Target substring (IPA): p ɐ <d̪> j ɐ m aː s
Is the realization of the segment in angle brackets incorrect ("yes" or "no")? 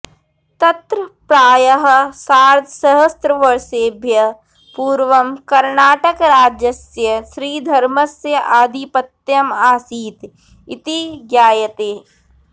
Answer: yes